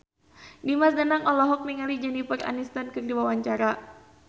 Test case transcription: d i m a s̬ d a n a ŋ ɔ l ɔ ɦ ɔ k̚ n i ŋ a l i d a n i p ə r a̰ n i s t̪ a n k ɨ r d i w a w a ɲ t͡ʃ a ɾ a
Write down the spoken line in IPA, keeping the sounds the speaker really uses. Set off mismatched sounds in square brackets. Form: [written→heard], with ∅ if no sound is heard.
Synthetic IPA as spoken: d i m a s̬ d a n a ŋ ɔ l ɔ ɦ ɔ k̚ [n→m] i ŋ a l i [d→d͡ʒ] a n i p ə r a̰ n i s t̪ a n k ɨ r d i w a w a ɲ t͡ʃ a ɾ a